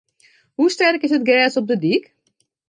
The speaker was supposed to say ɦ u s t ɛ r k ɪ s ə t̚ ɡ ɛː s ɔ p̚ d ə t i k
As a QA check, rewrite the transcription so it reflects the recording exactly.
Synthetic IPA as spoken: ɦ u s t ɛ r k ɪ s ə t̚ ɡ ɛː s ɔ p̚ d ə d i k